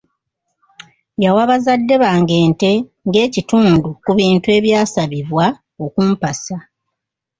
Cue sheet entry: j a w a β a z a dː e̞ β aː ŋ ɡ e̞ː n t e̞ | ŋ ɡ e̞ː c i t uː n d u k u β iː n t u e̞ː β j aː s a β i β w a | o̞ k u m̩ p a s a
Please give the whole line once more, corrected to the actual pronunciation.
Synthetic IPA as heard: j a w a β a z a dː e̞ β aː ŋ ɡ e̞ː n t e̞ | ŋ ɡ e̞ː c i t uː n d u k u β iː n t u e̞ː β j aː s a β i β w a | o̞ k u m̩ p a s a